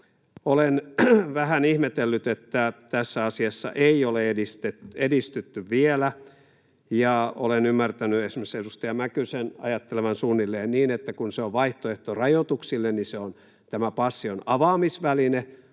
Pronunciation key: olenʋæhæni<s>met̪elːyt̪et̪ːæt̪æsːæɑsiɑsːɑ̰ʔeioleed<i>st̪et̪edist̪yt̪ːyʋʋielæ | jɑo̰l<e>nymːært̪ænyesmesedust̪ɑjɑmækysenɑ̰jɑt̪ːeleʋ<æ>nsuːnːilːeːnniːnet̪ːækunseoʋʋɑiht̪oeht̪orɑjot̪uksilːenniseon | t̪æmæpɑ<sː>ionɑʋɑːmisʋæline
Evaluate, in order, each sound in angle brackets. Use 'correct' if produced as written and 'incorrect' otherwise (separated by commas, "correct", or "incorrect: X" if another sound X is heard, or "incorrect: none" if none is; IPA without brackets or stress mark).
incorrect: h, correct, correct, correct, correct